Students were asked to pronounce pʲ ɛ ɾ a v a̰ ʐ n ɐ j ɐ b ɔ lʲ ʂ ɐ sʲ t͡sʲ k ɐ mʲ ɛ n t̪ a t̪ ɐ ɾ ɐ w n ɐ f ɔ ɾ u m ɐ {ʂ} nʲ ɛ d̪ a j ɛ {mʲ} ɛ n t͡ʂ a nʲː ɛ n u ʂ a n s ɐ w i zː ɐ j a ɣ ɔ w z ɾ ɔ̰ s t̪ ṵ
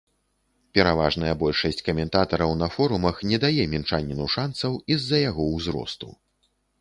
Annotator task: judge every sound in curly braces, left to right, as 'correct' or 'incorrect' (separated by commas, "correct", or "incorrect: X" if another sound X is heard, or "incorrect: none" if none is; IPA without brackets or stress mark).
incorrect: x, correct